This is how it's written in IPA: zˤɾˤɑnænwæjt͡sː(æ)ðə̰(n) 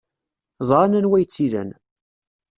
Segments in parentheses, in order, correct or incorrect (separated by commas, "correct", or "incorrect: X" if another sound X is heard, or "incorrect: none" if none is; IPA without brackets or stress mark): incorrect: i, correct